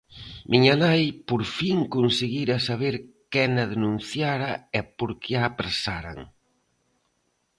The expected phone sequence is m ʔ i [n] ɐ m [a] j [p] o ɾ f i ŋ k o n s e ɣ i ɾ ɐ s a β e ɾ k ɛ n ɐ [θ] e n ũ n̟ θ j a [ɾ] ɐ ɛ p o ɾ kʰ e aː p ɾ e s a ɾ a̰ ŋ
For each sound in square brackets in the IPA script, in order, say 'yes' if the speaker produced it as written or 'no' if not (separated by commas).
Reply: no, yes, yes, no, yes